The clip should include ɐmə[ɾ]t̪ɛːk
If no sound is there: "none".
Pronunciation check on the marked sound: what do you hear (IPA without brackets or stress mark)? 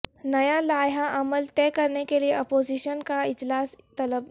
l